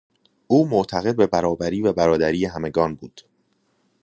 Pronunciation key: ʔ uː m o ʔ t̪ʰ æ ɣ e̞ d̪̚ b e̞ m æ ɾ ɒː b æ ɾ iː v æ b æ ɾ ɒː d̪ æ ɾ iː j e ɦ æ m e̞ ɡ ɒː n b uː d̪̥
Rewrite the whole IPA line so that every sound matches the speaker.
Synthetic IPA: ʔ uː m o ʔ t̪ʰ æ ɣ e̞ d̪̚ b e̞ b æ ɾ ɒː b æ ɾ iː v æ b æ ɾ ɒː d̪ æ ɾ iː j e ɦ æ m e̞ ɡ ɒː n b uː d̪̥